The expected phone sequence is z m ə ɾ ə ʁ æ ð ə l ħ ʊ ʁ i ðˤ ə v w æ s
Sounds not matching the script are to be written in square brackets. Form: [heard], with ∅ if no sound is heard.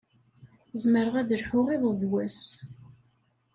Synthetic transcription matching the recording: z m ə ɾ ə ʁ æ ð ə l ħ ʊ ʁ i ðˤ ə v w æ s